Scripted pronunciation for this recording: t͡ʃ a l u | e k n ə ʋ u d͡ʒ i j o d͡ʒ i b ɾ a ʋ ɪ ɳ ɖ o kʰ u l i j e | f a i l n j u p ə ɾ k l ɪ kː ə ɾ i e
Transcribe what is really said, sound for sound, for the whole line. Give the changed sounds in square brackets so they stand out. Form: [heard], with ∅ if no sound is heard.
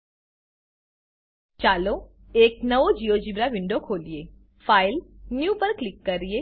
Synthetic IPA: t͡ʃ a l [o] | e k n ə ʋ [o] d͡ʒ i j o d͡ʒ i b ɾ a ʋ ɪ ɳ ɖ o kʰ [o] l i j e | f a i l n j u p ə ɾ k l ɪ kː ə ɾ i e